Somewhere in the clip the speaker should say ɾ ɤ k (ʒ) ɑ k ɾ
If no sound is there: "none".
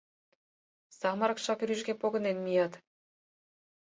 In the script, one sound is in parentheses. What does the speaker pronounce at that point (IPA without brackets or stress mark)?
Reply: ʃ